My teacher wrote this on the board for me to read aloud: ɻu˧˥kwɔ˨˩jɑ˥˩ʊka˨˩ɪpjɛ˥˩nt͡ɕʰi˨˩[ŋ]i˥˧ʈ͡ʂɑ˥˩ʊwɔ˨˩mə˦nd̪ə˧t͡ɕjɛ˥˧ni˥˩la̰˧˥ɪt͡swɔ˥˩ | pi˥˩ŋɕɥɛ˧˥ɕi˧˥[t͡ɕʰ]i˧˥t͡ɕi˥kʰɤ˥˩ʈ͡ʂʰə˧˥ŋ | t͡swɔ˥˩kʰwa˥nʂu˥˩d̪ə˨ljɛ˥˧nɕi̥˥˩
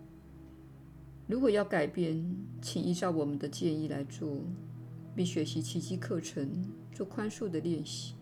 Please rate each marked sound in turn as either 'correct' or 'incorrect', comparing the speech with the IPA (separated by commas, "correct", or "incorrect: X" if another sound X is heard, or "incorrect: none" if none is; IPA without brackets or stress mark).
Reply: correct, correct